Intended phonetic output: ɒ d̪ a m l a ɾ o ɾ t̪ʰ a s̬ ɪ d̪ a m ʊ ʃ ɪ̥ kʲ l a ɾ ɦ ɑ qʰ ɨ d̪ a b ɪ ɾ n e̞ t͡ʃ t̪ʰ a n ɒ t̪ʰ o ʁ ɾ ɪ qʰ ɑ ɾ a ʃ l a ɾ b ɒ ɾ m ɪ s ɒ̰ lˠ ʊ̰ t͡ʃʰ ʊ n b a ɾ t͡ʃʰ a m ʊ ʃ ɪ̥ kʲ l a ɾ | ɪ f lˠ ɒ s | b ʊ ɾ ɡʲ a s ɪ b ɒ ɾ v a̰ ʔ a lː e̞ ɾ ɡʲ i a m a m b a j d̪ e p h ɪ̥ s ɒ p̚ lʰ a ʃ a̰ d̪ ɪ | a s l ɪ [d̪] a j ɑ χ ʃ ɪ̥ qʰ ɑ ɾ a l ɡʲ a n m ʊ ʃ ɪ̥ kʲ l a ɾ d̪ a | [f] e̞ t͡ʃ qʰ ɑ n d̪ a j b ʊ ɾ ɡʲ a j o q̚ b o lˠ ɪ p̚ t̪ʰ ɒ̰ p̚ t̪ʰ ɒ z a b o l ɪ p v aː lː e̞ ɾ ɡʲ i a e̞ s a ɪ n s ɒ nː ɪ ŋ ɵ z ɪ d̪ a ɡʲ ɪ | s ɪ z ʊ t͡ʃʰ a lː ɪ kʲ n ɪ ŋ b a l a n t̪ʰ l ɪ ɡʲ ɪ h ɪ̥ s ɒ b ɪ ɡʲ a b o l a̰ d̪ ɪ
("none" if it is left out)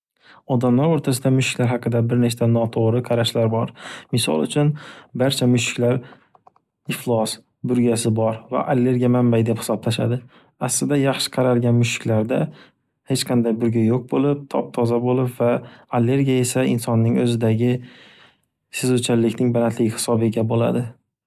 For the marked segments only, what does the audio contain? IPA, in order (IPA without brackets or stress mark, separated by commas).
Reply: d̪, h